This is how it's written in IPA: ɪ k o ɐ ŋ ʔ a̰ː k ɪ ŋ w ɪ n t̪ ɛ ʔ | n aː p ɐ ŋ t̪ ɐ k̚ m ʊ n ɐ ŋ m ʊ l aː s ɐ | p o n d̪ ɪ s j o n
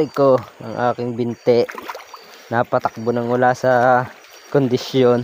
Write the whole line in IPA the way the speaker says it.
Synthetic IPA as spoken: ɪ k o ɐ ŋ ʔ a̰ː k ɪ ŋ b ɪ n t̪ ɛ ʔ | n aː p ɐ t̪ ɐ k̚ b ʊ n ɐ ŋ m ʊ l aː s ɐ | k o n d̪ ɪ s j o n